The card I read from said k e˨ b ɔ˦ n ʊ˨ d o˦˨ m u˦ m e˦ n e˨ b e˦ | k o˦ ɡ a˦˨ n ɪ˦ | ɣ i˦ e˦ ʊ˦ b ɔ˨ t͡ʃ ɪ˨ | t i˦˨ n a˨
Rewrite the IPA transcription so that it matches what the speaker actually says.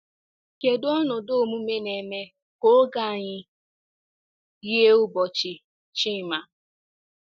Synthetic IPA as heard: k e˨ d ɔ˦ n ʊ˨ d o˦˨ m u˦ m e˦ n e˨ m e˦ | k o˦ ɡ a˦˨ ɲ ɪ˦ | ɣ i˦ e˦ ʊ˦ b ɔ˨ t͡ʃ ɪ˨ | t͡ʃ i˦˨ m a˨